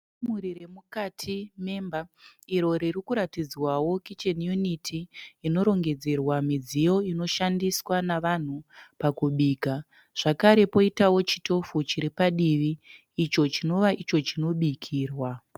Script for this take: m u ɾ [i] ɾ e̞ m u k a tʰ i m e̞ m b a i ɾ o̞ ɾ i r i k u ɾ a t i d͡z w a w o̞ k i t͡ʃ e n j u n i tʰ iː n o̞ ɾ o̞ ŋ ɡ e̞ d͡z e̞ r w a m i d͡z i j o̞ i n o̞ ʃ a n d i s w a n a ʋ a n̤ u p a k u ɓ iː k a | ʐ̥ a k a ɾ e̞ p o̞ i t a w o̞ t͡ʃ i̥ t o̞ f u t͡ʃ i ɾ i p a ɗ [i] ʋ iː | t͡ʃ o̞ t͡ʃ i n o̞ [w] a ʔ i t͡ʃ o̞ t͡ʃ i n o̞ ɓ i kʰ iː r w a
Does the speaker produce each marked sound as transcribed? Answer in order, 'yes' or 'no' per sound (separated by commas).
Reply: yes, yes, no